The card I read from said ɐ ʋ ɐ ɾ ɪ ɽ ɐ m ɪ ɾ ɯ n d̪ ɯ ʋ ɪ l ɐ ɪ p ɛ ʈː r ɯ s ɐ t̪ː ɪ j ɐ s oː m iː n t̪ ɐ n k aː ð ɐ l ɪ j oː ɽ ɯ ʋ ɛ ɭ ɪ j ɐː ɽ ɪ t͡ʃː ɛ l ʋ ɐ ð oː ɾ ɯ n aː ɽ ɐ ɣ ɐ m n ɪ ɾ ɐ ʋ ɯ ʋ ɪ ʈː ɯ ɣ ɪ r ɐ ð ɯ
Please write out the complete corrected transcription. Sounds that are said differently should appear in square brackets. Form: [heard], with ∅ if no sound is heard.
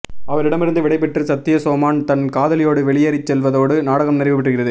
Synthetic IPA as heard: ɐ ʋ ɐ ɾ ɪ ɽ ɐ m ɪ ɾ ɯ n d̪ ɯ ʋ ɪ [ɽ] ɐ ɪ p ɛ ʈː r ɯ s ɐ t̪ː ɪ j ɐ s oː m [aː] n t̪ ɐ n k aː ð ɐ l ɪ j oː ɽ ɯ ʋ ɛ ɭ ɪ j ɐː [ɾ] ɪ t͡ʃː ɛ l ʋ ɐ ð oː [ɽ] ɯ n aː ɽ ɐ ɣ ɐ m n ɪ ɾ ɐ ʋ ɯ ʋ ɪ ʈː ɯ ɣ ɪ r ɐ ð ɯ